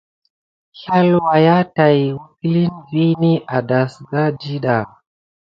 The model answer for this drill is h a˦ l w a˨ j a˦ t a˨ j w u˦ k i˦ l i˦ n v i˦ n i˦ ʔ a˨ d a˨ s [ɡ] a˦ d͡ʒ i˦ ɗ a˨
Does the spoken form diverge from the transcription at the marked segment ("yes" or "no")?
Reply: no